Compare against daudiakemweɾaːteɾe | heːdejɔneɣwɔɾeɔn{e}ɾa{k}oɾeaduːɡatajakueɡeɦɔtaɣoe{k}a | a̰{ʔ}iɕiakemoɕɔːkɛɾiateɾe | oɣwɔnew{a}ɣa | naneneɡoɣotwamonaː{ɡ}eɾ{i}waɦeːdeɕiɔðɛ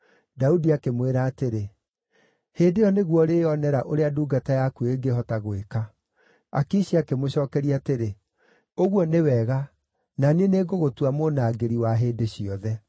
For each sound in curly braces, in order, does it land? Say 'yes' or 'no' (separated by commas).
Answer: no, no, yes, no, no, yes, yes